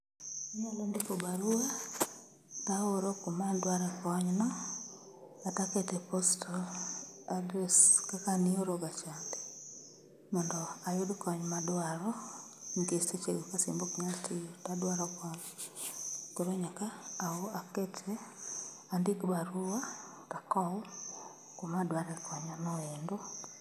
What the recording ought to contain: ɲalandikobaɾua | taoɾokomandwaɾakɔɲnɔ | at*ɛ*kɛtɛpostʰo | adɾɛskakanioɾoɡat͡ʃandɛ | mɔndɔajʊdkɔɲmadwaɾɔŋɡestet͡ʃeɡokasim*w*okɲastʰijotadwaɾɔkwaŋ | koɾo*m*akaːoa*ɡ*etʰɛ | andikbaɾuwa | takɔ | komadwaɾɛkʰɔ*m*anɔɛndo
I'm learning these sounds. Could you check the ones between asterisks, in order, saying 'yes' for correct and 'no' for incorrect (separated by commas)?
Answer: no, no, no, no, no